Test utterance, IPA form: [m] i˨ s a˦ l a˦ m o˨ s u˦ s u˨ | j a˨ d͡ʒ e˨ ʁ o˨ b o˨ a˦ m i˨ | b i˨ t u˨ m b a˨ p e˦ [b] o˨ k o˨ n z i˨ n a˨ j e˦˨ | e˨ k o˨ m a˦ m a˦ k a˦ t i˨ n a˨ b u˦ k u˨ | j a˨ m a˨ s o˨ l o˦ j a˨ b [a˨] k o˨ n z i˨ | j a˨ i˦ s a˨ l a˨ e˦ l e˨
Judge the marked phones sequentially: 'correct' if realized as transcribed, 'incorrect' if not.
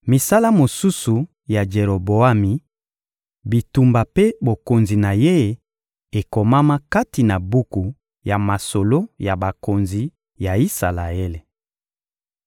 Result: correct, correct, correct

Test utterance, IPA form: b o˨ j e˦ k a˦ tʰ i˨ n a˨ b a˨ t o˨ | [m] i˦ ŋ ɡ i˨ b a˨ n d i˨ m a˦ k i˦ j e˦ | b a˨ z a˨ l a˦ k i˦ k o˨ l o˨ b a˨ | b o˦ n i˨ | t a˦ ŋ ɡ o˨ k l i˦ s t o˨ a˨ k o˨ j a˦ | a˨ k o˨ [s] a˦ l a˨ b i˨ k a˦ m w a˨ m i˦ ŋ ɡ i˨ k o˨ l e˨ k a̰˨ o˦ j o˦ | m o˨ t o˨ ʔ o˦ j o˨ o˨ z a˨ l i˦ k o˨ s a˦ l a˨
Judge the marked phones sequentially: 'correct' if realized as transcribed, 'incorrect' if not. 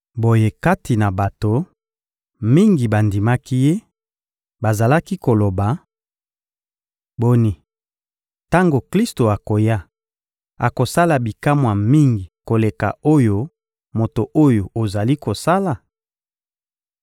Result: correct, correct

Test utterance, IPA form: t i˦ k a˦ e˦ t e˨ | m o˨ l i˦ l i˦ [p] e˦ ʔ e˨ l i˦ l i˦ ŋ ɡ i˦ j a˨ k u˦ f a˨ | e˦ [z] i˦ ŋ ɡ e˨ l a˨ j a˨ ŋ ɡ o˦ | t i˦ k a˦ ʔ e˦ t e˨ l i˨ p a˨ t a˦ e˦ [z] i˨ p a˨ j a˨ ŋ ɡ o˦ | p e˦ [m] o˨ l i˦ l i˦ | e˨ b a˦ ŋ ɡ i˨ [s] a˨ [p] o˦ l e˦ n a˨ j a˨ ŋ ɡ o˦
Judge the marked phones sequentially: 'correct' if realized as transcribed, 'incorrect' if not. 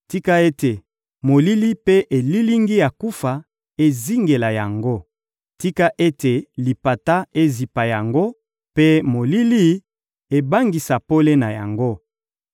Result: correct, correct, correct, correct, correct, correct

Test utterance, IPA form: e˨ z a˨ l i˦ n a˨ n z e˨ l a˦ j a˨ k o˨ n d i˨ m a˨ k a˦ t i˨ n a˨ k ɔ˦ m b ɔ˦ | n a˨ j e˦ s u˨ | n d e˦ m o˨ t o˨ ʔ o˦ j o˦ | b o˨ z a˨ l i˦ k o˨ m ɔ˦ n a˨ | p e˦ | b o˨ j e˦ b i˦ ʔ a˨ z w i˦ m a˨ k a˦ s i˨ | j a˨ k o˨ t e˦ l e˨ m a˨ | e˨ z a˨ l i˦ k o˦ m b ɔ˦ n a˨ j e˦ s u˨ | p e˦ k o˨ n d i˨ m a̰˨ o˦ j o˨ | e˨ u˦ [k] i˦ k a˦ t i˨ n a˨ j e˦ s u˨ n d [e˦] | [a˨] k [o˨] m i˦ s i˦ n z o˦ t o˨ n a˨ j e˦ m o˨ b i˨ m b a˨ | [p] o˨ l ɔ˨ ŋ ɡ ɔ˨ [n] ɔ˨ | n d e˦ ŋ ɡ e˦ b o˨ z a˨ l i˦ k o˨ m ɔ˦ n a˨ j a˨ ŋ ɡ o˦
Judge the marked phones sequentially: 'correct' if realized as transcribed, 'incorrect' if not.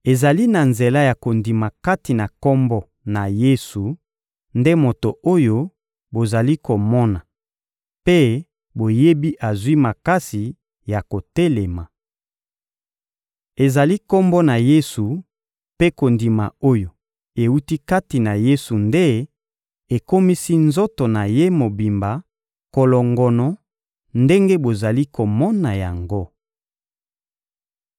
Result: incorrect, correct, incorrect, incorrect, incorrect, correct

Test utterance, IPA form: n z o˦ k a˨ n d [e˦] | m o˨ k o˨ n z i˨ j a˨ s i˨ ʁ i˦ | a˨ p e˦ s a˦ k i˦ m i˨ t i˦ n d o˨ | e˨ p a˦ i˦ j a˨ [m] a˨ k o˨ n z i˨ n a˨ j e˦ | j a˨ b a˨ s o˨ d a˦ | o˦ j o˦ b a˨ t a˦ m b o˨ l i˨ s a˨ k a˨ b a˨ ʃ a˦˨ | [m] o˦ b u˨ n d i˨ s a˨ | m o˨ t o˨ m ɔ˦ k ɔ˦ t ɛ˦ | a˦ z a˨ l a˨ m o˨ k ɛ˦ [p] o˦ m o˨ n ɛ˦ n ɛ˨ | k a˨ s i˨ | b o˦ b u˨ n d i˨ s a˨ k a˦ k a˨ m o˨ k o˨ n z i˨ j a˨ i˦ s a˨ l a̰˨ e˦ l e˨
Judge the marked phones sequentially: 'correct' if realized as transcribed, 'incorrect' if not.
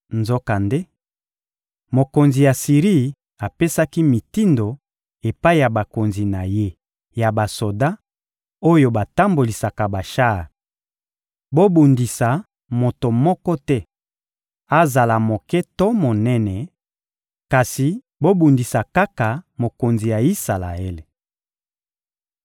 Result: correct, incorrect, incorrect, incorrect

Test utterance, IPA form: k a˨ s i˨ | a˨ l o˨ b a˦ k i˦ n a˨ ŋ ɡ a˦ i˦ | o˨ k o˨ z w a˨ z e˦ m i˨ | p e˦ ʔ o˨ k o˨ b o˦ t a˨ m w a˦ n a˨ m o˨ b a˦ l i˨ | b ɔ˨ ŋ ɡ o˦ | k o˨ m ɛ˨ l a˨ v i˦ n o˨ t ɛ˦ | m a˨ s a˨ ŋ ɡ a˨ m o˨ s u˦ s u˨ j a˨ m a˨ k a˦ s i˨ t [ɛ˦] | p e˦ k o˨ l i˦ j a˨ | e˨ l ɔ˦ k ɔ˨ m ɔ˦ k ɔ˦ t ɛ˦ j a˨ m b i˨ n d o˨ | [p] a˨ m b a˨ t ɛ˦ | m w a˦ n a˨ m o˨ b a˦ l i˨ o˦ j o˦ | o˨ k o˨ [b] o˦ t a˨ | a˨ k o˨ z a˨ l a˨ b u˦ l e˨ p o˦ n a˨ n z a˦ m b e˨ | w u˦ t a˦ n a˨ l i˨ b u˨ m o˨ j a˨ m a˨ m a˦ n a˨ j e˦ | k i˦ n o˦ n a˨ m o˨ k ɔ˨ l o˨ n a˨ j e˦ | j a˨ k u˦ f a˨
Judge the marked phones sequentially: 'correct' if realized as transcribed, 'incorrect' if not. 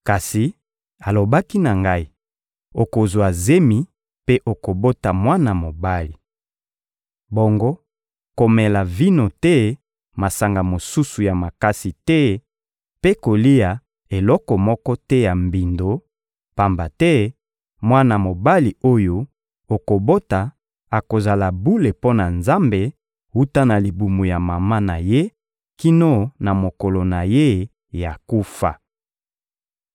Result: correct, correct, correct

